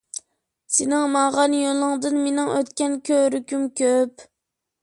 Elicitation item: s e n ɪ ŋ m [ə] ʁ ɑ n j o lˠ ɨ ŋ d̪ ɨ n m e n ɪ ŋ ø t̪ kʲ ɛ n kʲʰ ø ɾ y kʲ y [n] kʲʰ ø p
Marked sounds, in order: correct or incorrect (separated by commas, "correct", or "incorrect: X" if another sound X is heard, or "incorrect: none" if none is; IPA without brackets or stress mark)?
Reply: incorrect: ɑ, incorrect: m